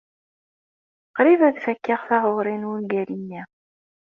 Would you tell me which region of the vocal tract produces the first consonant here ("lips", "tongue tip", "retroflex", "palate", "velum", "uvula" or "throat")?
uvula